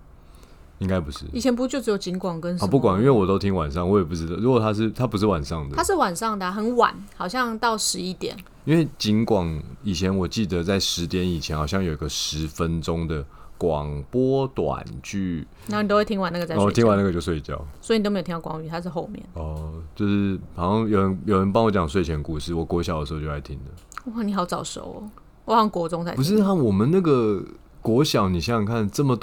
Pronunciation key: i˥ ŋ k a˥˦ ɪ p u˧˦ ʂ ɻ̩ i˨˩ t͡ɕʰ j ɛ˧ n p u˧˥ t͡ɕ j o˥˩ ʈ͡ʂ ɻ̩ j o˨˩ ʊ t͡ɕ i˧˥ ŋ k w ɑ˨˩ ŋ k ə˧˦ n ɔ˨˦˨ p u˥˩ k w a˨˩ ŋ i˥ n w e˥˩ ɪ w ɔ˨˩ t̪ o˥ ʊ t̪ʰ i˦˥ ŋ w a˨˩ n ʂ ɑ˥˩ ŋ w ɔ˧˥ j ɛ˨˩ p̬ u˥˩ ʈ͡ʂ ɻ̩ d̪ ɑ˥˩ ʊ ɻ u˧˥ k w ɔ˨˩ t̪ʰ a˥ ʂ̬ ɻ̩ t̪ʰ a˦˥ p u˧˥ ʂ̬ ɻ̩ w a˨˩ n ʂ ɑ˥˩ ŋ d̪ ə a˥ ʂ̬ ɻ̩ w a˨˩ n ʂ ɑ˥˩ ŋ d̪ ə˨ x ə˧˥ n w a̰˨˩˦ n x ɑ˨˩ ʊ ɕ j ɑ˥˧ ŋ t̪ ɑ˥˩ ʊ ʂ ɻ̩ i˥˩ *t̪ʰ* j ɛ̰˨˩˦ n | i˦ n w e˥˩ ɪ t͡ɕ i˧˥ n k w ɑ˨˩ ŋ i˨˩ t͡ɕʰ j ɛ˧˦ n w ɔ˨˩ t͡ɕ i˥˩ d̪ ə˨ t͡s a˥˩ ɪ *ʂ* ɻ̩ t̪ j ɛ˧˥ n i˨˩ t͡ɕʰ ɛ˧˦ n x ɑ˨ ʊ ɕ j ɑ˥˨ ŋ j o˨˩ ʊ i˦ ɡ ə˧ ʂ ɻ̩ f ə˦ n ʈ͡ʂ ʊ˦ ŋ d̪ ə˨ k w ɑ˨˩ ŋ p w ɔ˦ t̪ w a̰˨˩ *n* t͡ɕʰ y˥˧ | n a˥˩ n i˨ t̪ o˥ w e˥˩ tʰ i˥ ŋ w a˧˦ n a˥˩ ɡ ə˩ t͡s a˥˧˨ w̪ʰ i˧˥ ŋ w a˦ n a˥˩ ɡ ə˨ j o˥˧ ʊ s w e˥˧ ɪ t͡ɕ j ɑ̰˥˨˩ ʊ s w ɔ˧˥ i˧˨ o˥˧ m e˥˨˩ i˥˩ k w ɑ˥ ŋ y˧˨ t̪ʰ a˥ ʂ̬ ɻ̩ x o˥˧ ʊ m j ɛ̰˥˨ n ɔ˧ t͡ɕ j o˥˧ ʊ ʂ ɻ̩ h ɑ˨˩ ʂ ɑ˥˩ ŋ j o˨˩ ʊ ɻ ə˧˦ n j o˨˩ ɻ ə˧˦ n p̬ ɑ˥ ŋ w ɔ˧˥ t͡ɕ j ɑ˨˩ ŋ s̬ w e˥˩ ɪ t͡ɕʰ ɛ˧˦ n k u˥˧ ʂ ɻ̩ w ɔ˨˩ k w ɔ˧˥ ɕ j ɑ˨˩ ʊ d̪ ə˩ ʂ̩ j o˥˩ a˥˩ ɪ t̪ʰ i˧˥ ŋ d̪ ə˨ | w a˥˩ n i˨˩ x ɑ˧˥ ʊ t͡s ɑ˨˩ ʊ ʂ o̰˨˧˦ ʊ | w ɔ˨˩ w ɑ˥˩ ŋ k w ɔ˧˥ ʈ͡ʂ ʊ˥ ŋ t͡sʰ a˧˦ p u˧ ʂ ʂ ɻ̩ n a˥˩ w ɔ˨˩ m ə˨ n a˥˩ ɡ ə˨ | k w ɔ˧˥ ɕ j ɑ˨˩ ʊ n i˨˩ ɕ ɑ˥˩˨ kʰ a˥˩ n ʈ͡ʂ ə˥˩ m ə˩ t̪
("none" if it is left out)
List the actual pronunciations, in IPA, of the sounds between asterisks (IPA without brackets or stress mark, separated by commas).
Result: t̪, ʂ, n